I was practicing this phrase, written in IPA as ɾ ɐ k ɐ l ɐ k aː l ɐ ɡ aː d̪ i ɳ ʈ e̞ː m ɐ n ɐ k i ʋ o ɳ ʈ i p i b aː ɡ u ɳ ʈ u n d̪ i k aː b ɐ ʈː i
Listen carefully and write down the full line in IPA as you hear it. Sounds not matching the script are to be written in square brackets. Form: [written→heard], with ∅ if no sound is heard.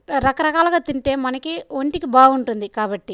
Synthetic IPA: ɾ ɐ k ɐ [l→ɾ] ɐ k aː l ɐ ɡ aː [d̪→t̪] i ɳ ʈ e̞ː m ɐ n ɐ k i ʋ o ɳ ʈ i [p→k] i b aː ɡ u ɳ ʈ u n d̪ i k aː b ɐ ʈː i

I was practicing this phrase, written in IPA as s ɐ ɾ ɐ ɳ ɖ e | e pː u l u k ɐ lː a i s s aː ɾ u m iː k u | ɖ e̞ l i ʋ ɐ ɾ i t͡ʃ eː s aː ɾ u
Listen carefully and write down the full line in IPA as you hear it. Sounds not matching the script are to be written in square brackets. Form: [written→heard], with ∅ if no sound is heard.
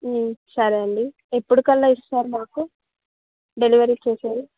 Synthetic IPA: s ɐ ɾ ɐ ɳ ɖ [e→i] | e pː u [l→ɽ] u k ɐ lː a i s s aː ɾ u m [iː→aː] k u | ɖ e̞ l i ʋ ɐ ɾ i t͡ʃ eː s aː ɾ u

